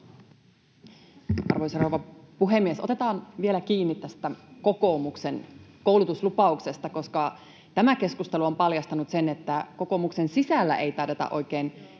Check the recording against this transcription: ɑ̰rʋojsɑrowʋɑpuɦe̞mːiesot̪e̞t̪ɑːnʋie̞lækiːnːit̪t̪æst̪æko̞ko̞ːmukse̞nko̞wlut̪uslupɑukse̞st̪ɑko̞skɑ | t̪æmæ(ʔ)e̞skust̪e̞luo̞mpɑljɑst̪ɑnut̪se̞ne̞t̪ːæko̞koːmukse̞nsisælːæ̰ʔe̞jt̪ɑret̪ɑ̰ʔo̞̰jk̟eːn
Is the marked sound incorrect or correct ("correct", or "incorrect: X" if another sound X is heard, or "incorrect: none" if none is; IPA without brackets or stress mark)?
incorrect: k